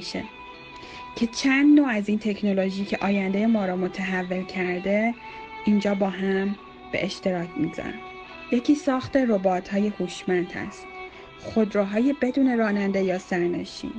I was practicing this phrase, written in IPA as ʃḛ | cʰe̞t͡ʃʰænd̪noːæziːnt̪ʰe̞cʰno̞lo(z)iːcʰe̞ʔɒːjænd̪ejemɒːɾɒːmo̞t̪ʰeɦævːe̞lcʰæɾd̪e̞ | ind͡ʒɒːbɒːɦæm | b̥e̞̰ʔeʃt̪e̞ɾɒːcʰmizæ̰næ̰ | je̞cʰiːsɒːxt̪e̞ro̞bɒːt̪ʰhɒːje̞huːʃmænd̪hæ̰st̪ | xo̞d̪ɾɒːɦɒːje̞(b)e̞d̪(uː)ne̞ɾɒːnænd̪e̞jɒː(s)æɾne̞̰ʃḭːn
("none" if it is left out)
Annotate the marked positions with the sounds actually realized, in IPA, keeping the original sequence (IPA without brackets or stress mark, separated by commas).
ʒ, b, uː, s